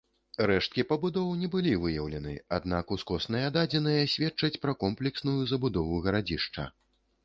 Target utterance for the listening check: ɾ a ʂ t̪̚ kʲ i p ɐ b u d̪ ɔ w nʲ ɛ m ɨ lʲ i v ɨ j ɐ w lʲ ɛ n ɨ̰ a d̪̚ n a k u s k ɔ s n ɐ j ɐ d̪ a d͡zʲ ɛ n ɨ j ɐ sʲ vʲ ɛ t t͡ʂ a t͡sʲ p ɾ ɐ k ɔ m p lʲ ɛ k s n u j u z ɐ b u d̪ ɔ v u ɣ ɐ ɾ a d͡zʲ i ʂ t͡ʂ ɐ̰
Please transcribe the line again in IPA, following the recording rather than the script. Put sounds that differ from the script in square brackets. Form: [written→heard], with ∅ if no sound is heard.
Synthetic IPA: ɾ [a→ɛ] ʂ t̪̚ kʲ i p ɐ b u d̪ ɔ w nʲ ɛ [m→b] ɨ lʲ i v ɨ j ɐ w lʲ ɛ n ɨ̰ a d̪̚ n a k u s k ɔ s n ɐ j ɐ d̪ a d͡zʲ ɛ n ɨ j ɐ sʲ vʲ ɛ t t͡ʂ [a→ɐ] t͡sʲ p ɾ ɐ k ɔ m p lʲ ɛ k s n u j u z ɐ b u d̪ ɔ v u ɣ ɐ ɾ a d͡zʲ i ʂ t͡ʂ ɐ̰